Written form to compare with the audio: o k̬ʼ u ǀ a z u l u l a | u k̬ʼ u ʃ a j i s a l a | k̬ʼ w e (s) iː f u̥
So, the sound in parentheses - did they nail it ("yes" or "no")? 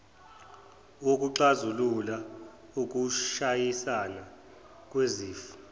no